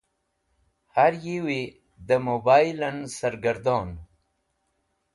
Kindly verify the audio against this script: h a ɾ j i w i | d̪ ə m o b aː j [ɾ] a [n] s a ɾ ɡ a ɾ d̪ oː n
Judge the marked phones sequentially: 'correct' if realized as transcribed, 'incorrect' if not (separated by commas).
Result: incorrect, correct